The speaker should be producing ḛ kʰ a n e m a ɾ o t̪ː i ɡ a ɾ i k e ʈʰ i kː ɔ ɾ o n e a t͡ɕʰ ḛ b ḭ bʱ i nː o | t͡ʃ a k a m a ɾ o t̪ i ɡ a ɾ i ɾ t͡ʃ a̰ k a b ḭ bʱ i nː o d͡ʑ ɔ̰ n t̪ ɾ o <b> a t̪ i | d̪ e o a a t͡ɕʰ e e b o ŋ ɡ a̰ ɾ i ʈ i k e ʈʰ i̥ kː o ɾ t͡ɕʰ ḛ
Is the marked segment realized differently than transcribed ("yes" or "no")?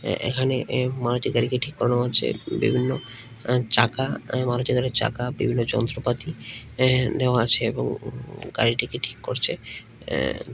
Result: yes